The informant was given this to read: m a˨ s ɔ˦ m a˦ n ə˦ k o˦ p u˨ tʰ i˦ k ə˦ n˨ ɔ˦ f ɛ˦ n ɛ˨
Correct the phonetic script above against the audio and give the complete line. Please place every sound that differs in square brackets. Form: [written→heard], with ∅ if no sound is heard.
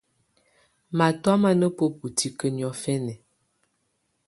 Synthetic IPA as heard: m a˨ [s→t] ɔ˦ m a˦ n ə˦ [k→p] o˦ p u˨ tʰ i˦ k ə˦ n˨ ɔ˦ f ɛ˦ n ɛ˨